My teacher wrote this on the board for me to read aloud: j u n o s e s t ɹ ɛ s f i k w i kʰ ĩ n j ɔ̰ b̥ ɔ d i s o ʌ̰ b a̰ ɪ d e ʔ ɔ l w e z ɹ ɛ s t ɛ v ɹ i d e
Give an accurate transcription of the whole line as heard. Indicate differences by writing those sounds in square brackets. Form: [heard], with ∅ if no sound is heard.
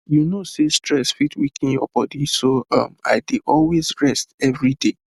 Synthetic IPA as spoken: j u n o s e s t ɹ ɛ s f i [t] w i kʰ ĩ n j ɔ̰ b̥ ɔ d i s o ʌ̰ [m] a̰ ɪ d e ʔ ɔ l w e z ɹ ɛ s t ɛ v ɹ i d e